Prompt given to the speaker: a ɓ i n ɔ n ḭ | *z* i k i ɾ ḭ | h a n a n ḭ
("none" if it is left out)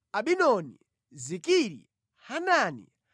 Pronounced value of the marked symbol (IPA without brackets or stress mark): z